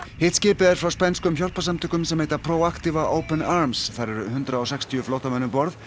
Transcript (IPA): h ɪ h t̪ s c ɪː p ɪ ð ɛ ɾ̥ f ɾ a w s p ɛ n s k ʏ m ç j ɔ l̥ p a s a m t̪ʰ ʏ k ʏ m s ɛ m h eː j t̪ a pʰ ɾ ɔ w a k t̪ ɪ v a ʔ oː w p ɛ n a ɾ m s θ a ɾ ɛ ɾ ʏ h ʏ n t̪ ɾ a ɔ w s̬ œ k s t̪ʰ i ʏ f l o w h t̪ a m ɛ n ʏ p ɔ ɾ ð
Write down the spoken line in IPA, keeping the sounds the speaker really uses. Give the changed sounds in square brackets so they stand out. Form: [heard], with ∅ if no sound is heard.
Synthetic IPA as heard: h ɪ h t̪ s c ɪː p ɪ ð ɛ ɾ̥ f ɾ a w s p ɛ n s k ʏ m ç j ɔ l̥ p a s a m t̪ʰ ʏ k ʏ m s ɛ m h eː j t̪ a pʰ ɾ [o] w a k t̪ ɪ v a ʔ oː w p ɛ n a ɾ m s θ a ɾ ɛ ɾ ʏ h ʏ n t̪ ɾ a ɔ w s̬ [ɛ] k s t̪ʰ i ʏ f l o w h t̪ a m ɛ n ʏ p ɔ ɾ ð